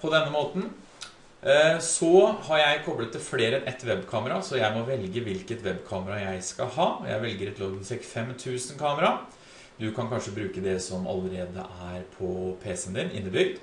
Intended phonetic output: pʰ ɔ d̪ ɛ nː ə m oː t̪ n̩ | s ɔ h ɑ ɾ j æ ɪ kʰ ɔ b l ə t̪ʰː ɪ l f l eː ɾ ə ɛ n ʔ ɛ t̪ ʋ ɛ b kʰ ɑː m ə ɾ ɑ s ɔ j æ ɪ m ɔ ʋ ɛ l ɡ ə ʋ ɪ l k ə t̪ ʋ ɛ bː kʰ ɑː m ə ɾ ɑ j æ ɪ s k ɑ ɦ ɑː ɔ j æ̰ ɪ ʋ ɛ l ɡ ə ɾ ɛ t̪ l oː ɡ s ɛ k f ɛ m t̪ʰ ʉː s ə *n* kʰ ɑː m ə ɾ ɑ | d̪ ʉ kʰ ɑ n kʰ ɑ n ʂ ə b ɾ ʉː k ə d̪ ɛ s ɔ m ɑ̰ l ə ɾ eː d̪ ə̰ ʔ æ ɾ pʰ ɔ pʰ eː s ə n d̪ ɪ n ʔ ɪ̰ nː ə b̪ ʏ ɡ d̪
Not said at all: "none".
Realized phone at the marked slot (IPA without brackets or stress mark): n